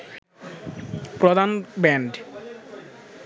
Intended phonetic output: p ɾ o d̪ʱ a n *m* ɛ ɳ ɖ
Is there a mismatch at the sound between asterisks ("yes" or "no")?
yes